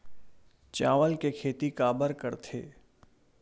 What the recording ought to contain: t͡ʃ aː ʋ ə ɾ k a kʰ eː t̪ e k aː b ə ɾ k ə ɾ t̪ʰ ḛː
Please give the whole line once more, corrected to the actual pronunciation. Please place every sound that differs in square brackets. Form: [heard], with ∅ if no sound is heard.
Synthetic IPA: t͡ʃ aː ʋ ə [l] k [e] kʰ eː t̪ [i] k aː b ə ɾ k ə ɾ t̪ʰ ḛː